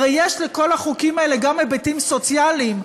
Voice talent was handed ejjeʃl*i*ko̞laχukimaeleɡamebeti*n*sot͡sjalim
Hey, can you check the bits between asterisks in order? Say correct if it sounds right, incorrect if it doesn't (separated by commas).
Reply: incorrect, incorrect